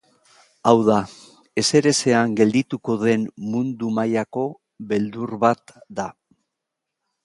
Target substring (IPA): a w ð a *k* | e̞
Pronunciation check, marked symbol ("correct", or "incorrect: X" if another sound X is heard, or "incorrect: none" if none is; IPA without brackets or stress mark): incorrect: none